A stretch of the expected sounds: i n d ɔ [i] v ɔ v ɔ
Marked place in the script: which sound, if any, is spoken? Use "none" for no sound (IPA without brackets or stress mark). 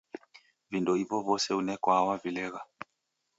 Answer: i